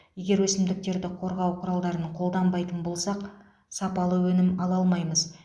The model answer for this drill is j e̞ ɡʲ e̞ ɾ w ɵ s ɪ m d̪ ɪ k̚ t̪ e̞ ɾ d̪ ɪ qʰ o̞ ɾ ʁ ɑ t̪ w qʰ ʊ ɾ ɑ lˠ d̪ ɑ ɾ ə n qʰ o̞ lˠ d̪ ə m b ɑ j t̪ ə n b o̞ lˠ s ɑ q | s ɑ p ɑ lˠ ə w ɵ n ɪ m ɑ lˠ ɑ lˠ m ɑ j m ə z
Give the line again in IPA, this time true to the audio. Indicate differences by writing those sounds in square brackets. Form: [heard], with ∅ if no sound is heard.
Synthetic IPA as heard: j e̞ ɡʲ e̞ ɾ w ɵ s ɪ m d̪ ɪ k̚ t̪ e̞ ɾ d̪ ɪ qʰ o̞ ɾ ʁ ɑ [∅] w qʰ ʊ ɾ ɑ lˠ d̪ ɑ ɾ ə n qʰ o̞ lˠ d̪ [ɑ] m b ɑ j t̪ ə n b o̞ lˠ s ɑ q | s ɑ p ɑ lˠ ə w ɵ n ɪ m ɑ lˠ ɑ lˠ m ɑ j m ə z